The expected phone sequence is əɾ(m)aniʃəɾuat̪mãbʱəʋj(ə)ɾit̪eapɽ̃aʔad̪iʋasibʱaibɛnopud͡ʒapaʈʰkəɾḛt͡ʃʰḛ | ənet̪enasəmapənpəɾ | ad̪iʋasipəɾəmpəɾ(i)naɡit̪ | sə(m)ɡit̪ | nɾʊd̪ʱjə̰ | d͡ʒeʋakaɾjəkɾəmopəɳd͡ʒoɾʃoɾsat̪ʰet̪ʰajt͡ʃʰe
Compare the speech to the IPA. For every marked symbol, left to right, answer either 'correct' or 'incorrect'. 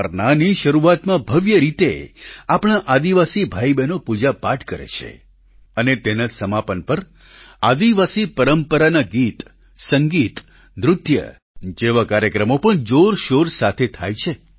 incorrect: n, correct, incorrect: a, incorrect: ŋ

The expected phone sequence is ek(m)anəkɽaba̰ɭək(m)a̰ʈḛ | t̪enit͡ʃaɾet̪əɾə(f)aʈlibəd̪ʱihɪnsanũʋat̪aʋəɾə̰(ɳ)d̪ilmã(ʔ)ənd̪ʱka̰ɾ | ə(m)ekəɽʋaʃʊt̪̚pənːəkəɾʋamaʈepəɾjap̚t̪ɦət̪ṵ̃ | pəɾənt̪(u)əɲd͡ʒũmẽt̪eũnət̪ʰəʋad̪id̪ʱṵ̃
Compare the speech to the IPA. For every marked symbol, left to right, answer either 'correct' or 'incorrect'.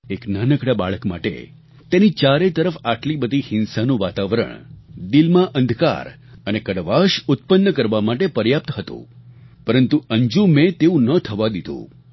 incorrect: n, correct, correct, correct, correct, incorrect: n, correct

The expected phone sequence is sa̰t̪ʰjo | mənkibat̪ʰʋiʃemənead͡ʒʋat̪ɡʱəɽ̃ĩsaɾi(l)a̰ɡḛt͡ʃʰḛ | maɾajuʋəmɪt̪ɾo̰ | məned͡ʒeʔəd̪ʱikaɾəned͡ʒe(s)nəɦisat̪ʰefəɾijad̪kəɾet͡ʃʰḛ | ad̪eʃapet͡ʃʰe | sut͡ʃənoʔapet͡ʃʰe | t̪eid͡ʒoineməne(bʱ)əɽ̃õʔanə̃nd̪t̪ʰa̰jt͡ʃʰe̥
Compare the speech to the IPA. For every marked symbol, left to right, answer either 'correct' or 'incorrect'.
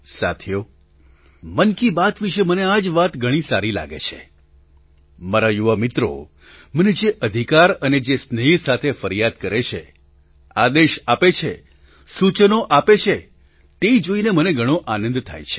correct, correct, incorrect: ɡʱ

